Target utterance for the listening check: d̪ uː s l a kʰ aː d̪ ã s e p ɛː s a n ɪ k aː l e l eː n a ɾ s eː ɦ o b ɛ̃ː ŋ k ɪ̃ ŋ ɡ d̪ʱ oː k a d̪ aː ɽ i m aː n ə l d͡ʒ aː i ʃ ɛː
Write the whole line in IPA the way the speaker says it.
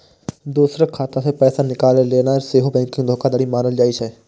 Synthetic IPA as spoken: d̪ uː s ɾ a kʰ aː t̪ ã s e p ɛː s a n ɪ k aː l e l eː n a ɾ s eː ɦ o b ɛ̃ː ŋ k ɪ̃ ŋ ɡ d̪ʱ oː k a d̪ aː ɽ i m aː n ə l d͡ʒ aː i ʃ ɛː